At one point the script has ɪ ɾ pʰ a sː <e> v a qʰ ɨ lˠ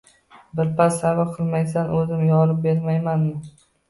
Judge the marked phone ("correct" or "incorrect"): incorrect